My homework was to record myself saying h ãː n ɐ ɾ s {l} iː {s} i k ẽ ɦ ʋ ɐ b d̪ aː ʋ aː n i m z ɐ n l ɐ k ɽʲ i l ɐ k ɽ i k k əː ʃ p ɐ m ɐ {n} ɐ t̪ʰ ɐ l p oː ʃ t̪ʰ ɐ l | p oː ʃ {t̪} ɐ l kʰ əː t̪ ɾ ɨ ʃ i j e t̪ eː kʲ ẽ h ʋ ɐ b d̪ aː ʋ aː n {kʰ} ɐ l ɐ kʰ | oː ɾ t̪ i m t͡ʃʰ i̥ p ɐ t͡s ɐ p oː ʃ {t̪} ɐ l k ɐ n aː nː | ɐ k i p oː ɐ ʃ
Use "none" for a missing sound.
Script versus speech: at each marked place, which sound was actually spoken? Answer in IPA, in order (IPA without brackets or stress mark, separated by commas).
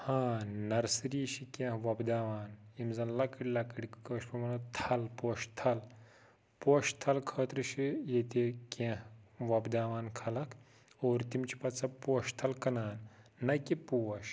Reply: ɾ, ʃ, n, t̪ʰ, kʰ, t̪ʰ